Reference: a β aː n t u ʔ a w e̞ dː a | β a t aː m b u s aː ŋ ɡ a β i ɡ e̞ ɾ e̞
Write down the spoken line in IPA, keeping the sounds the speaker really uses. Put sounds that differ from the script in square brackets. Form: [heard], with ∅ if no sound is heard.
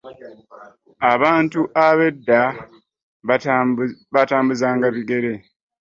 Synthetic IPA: a β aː n t u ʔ a [β] e̞ dː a | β a t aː m b u [z] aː ŋ ɡ a β i ɡ e̞ ɾ e̞

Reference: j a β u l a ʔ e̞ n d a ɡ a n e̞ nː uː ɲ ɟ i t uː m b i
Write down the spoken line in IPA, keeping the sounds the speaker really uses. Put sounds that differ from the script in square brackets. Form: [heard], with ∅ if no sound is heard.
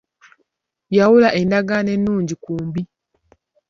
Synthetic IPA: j a [w] u l a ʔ e̞ n d a ɡ a n e̞ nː uː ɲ ɟ i [k] uː m b i

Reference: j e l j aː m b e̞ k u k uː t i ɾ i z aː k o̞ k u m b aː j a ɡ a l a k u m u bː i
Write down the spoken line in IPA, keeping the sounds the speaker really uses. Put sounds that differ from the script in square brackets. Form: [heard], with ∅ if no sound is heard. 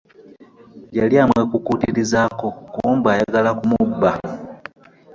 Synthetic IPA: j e l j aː m [w] e̞ k u k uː t i ɾ i z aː k o̞ k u m b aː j a ɡ a l a k u m u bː [a]

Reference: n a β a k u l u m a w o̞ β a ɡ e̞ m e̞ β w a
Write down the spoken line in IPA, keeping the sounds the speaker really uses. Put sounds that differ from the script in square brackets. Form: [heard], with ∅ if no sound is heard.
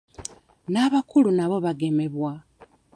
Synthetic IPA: n a β a k u l u [n] a [β] o̞ β a ɡ e̞ m e̞ β w a

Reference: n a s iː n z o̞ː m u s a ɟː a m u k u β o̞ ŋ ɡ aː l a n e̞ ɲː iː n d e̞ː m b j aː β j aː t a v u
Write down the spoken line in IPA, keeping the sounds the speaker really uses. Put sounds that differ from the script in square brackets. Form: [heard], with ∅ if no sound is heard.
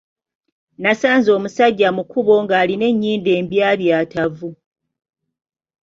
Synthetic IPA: n a s [aː] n z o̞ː m u s a ɟː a m u k u β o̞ ŋ ɡ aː l [i] n e̞ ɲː iː n d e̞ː m b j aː β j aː t a v u

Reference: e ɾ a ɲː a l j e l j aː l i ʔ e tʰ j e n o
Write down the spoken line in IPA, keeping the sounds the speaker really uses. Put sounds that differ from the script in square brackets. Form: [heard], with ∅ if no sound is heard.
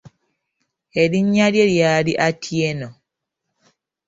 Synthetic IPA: e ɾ [i] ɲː a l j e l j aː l i ʔ [a] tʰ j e n o

